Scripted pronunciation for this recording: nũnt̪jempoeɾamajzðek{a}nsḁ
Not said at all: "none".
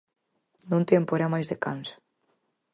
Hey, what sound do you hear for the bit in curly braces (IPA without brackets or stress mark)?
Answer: a